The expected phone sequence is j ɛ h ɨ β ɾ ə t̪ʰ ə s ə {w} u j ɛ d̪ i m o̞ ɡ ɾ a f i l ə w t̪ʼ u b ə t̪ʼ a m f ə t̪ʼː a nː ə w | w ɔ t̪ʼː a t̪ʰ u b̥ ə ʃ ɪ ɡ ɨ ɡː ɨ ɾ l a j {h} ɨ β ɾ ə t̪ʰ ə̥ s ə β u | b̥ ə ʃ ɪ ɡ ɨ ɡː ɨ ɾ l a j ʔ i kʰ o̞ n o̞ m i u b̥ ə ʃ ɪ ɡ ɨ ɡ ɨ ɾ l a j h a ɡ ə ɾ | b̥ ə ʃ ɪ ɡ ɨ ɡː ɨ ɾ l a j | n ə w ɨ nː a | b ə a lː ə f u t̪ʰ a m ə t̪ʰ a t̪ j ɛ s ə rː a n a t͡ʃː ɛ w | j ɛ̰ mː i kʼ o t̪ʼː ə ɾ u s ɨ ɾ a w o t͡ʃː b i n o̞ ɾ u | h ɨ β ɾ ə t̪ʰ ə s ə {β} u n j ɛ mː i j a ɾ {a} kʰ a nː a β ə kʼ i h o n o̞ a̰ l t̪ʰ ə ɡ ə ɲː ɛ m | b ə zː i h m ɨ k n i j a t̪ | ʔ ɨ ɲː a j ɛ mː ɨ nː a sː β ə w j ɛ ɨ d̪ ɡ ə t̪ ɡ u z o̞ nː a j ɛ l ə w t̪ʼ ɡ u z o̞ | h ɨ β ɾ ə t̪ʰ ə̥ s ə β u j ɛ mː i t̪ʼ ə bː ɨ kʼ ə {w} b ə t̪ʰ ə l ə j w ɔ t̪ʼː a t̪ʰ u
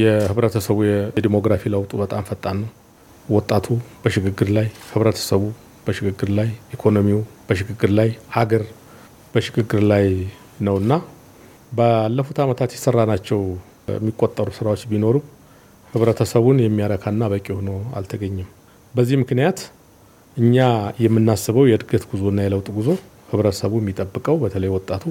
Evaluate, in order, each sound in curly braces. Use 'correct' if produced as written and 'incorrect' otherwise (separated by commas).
incorrect, correct, correct, incorrect, correct